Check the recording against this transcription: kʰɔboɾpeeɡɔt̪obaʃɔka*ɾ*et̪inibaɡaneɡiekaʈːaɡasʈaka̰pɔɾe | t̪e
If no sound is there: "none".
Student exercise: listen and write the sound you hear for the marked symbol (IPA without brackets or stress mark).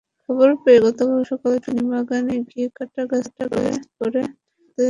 l